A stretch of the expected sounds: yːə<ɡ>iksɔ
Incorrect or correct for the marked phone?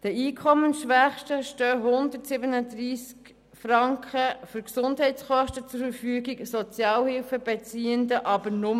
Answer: correct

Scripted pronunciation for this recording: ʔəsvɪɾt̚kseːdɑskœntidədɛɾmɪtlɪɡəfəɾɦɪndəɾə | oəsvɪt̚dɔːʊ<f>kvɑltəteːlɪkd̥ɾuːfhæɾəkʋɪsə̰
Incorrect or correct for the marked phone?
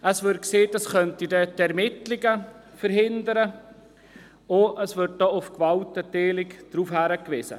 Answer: correct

